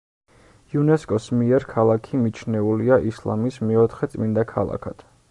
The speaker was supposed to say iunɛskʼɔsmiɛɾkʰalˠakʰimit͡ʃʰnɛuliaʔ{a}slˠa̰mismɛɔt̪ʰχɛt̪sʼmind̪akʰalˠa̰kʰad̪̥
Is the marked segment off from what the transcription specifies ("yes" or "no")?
yes